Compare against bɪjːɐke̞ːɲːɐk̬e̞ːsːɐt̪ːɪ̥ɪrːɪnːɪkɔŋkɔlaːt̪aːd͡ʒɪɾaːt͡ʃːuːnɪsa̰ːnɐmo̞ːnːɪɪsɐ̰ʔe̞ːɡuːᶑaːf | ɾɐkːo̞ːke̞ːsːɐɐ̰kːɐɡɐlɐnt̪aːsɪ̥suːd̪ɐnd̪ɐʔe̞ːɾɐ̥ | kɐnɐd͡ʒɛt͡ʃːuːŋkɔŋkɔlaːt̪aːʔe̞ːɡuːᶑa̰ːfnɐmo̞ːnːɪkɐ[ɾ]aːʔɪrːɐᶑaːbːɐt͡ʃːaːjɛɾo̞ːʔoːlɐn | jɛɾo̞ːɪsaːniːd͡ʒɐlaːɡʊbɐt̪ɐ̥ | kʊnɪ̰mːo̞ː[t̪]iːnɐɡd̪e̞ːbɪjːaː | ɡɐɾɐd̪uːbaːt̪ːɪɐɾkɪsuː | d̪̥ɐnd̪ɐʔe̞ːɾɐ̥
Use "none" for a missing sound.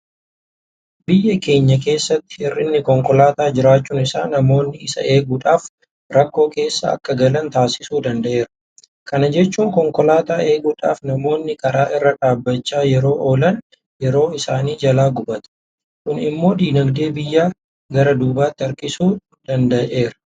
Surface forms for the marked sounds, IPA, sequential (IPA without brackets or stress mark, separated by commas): ɾ, d̪